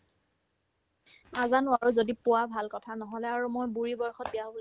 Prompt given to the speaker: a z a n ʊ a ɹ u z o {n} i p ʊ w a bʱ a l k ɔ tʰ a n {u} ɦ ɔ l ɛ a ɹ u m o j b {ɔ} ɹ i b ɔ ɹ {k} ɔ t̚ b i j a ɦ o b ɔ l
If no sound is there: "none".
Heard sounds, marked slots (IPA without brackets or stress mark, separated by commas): d, ɔ, u, x